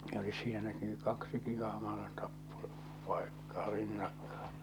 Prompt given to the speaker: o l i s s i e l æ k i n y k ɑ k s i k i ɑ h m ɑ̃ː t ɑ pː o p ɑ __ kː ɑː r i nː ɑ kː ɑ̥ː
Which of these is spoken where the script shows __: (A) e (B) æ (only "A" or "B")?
A